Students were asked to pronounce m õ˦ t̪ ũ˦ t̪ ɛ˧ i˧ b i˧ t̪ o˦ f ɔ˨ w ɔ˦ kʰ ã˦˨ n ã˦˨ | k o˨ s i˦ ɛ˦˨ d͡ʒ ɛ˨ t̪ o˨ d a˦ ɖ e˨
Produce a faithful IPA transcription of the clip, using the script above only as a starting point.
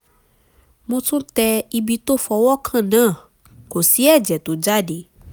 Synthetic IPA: m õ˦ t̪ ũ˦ t̪ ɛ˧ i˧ b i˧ t̪ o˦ f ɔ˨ w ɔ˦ kʰ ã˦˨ n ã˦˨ | k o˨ s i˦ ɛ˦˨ d͡ʒ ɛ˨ t̪ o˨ d͡ʒ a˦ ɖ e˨